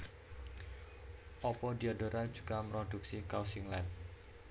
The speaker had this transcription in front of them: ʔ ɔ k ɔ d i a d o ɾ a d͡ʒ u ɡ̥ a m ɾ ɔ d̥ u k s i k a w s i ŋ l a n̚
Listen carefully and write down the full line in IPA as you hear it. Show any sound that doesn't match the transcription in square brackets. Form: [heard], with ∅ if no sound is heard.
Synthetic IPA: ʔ ɔ [p] ɔ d i a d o ɾ a d͡ʒ u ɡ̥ a m ɾ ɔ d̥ u k s i k a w s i ŋ l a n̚